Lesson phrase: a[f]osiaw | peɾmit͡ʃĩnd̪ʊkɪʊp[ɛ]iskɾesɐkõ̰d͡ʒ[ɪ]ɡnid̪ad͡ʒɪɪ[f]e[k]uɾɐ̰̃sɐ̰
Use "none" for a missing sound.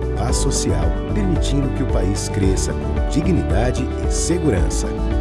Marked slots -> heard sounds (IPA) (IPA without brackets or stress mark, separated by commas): s, a, i, s, ɡ